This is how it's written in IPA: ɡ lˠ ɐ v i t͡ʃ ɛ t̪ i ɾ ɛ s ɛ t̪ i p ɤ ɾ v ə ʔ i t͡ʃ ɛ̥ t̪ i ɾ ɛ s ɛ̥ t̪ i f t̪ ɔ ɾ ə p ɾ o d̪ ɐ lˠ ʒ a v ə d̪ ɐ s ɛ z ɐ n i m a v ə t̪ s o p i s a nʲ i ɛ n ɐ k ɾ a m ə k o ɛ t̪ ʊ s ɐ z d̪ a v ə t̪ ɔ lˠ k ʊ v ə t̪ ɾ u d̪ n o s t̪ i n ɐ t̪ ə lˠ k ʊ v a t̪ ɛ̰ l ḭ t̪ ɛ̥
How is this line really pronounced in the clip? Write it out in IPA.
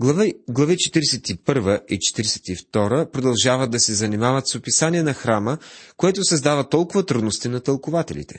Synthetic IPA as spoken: ɡ lˠ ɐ v i t͡ʃ ɛ t̪ i ɾ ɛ s ɛ t̪ i p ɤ ɾ v ə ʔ i t͡ʃ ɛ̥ t̪ i ɾ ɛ s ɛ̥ t̪ i f t̪ ɔ ɾ ə p ɾ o d̪ ɐ lˠ ʒ a v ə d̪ ɐ s ɛ z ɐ n i m a v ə t̪ s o p i s a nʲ i ɛ n ɐ x ɾ a m ə k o ɛ t̪ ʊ s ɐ z d̪ a v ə t̪ ɔ lˠ k ʊ v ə t̪ ɾ u d̪ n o s t̪ i n ɐ t̪ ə lˠ k ʊ v a t̪ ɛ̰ l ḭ t̪ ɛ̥